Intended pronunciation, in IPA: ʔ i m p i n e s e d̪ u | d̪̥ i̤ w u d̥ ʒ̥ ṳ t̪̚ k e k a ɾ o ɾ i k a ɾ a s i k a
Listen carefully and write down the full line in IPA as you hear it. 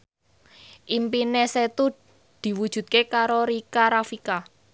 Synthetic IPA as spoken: ʔ i m p i n e s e t̪ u | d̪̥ i̤ w u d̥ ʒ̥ ṳ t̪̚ k e k a ɾ o ɾ i k a ɾ a f i k a